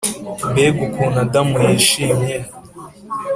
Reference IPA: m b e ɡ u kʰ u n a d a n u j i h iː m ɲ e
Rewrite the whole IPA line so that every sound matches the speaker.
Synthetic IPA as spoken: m b e ɡ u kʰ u n a d a m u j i ʃ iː m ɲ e